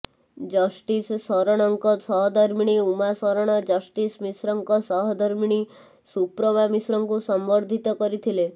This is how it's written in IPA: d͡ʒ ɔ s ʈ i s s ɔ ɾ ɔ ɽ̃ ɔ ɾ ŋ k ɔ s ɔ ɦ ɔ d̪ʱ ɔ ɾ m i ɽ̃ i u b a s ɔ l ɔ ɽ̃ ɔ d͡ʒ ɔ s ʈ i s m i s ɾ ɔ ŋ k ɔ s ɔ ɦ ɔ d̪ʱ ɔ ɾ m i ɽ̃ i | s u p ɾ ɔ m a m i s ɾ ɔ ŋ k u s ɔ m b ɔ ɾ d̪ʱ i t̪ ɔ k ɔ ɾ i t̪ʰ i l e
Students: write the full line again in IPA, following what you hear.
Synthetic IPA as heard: d͡ʒ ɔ s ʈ i s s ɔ ɾ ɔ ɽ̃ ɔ ŋ k ɔ s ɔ ɦ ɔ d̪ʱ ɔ ɾ m i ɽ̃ i u m a s ɔ ɾ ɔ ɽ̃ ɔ d͡ʒ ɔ s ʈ i s m i s ɾ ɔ ŋ k ɔ s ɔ ɦ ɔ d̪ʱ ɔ ɾ m i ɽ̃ i | s u p ɾ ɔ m a m i s ɾ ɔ ŋ k u s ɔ m b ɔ ɾ d̪ʱ i t̪ ɔ k ɔ ɾ i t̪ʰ i l e